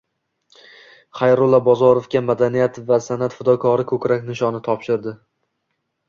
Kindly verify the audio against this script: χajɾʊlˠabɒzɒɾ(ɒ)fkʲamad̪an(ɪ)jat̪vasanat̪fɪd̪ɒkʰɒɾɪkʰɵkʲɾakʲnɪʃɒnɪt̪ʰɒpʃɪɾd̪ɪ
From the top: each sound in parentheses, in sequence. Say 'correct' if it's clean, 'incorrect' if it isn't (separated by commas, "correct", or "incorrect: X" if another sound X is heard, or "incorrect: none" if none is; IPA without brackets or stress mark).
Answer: incorrect: o, incorrect: i